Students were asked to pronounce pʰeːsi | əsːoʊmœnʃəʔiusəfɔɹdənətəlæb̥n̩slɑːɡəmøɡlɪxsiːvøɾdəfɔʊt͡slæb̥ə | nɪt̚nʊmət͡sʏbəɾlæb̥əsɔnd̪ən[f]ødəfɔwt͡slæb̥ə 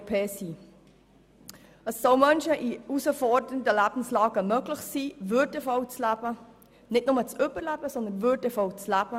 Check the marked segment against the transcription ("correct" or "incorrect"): incorrect